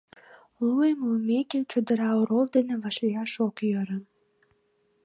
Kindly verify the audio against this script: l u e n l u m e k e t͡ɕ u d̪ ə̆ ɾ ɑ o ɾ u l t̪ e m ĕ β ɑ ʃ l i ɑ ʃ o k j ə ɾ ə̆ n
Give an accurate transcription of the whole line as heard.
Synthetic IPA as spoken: l u e m l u m e k e t͡ɕ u d̪ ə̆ ɾ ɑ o ɾ o l d̪ e n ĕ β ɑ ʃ l i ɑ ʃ o k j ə ɾ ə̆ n